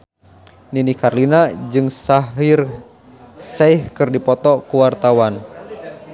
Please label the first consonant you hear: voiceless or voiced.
voiced